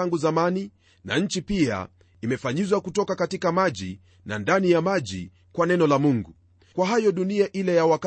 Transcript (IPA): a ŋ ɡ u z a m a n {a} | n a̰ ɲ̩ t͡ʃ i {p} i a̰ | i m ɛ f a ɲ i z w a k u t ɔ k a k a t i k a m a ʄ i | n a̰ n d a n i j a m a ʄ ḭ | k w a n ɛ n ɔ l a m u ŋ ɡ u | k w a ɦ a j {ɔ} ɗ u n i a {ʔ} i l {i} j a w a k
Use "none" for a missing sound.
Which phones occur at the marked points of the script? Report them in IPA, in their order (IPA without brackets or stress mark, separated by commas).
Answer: i, p, ɔ, ʔ, ɛ